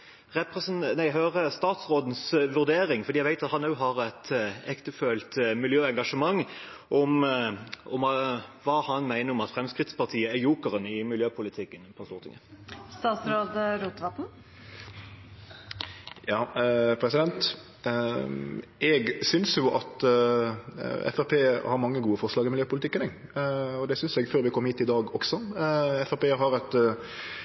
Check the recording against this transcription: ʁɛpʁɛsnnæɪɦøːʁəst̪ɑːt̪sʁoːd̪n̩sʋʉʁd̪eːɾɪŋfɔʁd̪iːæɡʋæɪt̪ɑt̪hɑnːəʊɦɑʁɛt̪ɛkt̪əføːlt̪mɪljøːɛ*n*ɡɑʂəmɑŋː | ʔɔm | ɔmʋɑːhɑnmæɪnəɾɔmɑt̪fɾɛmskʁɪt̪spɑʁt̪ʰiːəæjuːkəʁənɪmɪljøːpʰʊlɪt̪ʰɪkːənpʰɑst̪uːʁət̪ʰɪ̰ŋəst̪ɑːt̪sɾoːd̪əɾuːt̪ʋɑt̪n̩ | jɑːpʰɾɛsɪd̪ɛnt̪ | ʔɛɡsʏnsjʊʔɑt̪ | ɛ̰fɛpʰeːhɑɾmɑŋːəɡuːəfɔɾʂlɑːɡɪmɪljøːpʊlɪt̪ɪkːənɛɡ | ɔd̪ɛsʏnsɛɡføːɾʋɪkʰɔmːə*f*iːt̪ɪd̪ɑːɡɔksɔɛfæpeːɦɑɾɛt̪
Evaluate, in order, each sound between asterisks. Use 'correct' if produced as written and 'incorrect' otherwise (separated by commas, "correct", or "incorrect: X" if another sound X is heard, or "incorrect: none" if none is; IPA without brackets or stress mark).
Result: incorrect: ŋ, incorrect: h